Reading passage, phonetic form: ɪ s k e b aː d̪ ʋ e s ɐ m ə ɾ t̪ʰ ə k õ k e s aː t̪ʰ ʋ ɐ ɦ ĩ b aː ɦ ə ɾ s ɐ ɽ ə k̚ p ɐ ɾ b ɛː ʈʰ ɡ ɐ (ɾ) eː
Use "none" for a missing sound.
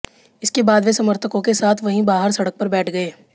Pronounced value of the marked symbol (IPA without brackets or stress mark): none